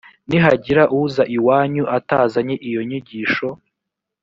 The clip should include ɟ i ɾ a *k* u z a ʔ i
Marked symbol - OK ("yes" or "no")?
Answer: no